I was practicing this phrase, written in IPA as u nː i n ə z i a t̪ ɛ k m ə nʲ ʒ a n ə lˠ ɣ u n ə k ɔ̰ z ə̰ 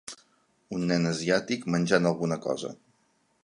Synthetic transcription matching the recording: u nː ɛ n ə z i a t̪ i k m ə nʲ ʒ a n ə lˠ ɣ u n ə k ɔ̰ z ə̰

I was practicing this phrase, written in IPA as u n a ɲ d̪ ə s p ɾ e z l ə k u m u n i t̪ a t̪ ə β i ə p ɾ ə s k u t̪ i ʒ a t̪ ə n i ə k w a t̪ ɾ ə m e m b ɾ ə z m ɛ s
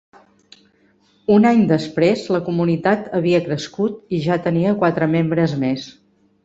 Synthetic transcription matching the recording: u n a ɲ d̪ ə s p ɾ e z l ə k u m u n i t̪ a t̪ ə β i ə k ɾ ə s k u t̪ i ʒ a t̪ ə n i ə k w a t̪ ɾ ə m e m b ɾ ə z m e s

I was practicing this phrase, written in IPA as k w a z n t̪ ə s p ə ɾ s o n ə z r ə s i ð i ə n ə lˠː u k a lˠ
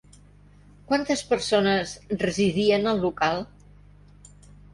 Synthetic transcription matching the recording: k w a n t̪ ə s p ə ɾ s o n ə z r ə z i ð i ə n ə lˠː u k a lˠ

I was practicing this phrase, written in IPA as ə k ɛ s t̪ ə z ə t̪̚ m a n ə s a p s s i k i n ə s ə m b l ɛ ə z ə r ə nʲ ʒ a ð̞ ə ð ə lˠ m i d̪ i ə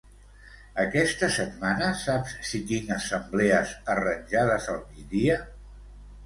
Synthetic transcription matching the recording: ə k ɛ s t̪ ə s ə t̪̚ m a n ə s a p s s i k i n ə s ə m b l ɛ ə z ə r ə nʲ ʒ a ð̞ ə z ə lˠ m i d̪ i ə

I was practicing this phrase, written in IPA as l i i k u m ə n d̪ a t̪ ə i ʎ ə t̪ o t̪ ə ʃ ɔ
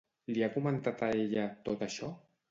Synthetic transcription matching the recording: l i a k u m ə n t̪ a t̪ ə e ʎ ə t̪ o t̪ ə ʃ ɔ

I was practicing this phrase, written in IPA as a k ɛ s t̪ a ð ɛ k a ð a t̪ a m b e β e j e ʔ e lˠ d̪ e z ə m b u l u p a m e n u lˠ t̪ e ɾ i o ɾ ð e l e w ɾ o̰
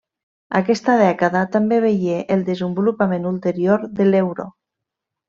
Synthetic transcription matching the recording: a k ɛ s t̪ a ð ɛ k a ð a t̪ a m b e β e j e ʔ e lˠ d̪ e z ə m b u l u p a m e n u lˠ t̪ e ɾ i o ɾ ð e l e w ɾ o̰

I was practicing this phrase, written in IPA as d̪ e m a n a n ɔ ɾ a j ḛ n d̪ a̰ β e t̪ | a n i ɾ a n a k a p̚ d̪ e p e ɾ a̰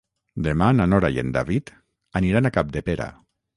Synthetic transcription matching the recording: d̪ e m a n a n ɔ ɾ a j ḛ n d̪ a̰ β i t̪ | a n i ɾ a n a k a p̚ d̪ e p e ɾ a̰

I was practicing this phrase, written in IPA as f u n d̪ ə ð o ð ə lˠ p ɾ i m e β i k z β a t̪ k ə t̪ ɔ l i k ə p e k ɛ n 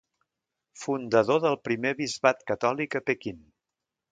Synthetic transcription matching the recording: f u n d̪ ə ð o ð ə lˠ p ɾ i m e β i z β a t̪ k ə t̪ ɔ l i k ə p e k i n

